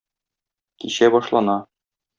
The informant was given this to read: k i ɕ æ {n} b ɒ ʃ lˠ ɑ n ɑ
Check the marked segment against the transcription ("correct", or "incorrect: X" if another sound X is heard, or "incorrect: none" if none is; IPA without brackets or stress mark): incorrect: none